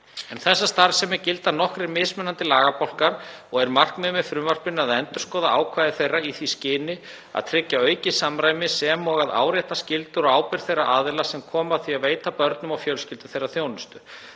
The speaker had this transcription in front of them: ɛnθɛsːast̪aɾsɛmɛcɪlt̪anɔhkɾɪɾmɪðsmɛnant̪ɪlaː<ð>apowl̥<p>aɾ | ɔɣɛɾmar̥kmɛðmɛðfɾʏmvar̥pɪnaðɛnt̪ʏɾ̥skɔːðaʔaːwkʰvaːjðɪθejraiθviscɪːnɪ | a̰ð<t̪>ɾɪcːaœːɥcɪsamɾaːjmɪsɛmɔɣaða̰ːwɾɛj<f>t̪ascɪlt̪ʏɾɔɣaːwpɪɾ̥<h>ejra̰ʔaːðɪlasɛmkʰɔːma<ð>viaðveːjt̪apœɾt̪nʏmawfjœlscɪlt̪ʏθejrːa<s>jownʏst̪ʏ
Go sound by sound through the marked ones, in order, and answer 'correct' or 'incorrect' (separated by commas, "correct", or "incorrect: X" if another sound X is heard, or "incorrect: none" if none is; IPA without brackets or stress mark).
incorrect: ɣ, incorrect: k, incorrect: t̪ʰ, incorrect: h, incorrect: θ, incorrect: θ, incorrect: θ